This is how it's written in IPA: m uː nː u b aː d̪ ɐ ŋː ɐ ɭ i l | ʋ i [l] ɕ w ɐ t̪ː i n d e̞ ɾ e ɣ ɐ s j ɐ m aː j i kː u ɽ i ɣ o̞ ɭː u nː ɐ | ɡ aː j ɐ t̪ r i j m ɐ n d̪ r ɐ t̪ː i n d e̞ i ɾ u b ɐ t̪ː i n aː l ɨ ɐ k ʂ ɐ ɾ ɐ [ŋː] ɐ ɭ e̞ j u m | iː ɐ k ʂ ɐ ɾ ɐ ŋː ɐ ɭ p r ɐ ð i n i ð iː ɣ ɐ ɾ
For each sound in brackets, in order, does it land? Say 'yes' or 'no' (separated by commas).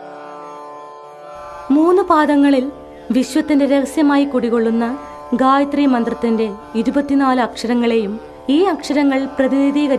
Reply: no, yes